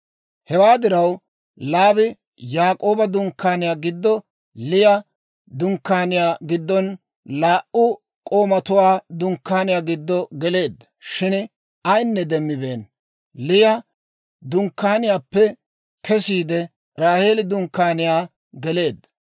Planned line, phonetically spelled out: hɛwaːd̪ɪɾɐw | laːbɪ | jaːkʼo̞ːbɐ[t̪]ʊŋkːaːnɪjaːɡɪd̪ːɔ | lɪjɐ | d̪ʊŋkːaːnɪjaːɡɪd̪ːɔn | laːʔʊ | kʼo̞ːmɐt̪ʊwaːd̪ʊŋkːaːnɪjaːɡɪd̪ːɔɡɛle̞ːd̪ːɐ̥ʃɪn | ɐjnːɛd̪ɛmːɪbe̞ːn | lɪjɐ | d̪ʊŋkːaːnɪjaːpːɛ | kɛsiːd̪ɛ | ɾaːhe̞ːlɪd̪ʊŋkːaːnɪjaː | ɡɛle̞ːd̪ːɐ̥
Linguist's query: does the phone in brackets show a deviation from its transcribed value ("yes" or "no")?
yes